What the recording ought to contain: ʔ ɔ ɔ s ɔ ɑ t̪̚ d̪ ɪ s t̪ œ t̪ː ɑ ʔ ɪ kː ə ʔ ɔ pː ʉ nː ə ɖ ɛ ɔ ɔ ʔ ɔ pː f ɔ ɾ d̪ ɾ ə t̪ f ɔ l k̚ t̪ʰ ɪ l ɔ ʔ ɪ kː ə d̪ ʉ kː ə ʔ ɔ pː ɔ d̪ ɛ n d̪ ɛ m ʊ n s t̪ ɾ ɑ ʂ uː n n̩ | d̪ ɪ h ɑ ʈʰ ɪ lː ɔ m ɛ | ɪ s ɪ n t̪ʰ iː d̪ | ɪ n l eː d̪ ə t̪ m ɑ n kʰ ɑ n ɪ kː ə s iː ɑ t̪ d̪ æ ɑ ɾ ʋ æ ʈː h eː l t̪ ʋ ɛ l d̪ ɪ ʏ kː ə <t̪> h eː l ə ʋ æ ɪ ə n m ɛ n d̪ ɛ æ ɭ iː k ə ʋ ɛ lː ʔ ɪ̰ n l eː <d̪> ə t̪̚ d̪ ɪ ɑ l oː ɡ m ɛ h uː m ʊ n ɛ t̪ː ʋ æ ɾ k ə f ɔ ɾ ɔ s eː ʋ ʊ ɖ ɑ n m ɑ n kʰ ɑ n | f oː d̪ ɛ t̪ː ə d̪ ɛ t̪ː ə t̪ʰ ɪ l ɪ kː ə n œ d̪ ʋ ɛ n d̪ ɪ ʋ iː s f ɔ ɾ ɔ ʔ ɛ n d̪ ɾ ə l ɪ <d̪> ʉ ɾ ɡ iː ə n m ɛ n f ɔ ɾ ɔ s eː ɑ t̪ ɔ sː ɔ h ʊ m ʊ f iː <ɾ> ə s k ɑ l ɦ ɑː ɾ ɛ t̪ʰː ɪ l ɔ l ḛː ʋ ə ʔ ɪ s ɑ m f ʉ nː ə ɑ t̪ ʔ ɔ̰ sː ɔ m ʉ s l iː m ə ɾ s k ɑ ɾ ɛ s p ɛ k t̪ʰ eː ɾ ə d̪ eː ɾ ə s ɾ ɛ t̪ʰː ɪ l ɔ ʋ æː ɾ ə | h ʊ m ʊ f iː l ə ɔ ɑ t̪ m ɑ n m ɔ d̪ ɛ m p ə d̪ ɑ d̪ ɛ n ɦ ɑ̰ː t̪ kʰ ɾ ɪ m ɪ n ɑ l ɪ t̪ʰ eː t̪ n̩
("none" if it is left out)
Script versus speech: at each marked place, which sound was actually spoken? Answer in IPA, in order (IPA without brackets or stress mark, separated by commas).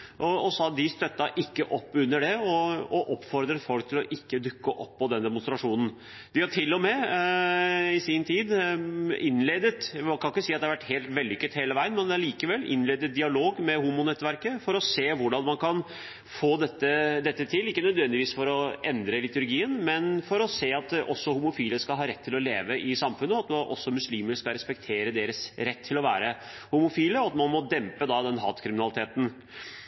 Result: t̪, d̪, t̪, l